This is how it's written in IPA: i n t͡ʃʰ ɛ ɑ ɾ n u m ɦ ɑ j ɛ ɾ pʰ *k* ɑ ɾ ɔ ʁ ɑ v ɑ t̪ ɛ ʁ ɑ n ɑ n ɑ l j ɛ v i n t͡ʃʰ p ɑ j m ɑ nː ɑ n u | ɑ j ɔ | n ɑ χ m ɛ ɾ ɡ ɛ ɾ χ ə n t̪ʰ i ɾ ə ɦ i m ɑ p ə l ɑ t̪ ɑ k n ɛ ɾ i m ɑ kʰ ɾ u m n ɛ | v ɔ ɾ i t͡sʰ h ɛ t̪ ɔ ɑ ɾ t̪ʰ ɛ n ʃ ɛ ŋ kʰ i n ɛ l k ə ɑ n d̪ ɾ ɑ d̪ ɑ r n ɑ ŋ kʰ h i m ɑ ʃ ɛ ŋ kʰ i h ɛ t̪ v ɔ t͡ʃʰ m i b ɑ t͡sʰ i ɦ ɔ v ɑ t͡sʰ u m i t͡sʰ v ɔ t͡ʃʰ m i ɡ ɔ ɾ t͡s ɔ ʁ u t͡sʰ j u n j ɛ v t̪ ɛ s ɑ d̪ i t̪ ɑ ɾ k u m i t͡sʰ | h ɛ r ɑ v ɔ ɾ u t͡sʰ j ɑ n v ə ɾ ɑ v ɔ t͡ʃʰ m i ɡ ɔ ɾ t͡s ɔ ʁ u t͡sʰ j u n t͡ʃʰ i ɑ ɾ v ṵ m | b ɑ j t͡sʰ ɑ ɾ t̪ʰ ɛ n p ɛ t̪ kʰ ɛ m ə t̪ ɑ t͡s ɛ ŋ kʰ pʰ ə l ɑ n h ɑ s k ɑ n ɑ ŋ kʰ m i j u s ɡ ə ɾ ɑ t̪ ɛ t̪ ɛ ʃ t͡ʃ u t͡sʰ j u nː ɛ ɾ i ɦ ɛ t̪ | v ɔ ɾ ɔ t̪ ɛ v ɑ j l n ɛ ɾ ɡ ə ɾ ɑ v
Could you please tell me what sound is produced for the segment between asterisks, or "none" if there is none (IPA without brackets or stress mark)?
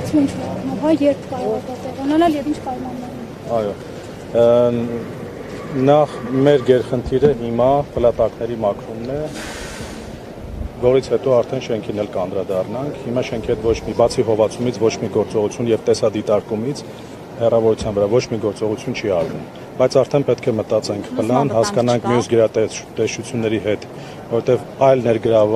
k